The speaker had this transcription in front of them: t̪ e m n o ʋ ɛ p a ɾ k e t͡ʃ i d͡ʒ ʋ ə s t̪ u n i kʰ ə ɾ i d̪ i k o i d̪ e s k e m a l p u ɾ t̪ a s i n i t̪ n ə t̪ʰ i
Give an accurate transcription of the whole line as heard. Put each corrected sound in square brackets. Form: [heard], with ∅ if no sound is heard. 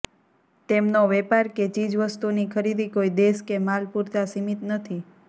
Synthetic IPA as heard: t̪ e m n o ʋ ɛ p a ɾ k e t͡ʃ i d͡ʒ ʋ ə s t̪ u n i kʰ ə ɾ i d̪ i k o i d̪ e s k e m a l p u ɾ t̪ a s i [m] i t̪ n ə t̪ʰ i